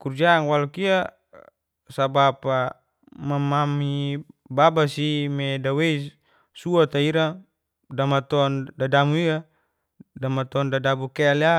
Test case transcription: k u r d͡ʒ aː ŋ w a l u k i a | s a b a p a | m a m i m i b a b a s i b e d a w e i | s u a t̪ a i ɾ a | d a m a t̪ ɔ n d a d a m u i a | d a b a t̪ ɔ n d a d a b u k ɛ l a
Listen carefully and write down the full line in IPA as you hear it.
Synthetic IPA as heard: k u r d͡ʒ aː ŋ w a l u k i a | s a b a p a | m a m a m i b a b a s i m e d a w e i | s u a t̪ a i ɾ a | d a m a t̪ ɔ n d a d a m u i a | d a m a t̪ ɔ n d a d a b u k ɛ l a